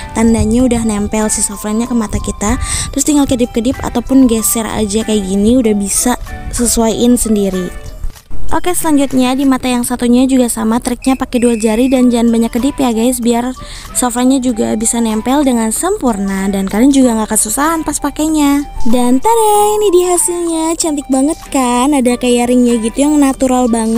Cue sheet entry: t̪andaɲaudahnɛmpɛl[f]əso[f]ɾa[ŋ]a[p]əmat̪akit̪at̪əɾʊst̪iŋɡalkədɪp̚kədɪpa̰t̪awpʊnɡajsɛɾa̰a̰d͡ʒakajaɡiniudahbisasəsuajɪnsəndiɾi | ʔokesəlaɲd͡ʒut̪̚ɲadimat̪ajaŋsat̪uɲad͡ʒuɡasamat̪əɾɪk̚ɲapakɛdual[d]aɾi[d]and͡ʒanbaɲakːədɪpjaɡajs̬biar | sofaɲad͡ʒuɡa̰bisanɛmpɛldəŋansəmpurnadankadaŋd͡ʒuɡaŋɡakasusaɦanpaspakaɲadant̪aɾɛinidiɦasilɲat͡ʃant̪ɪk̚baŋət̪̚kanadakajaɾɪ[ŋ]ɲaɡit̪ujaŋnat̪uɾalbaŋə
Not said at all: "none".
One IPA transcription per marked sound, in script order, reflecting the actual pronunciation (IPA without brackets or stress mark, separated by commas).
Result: s, f, ɲ, k, d͡ʒ, d, ŋ